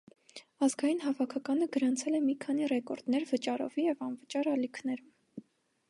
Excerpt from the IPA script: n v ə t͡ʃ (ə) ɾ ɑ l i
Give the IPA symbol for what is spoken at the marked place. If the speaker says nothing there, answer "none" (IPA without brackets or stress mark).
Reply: ɑ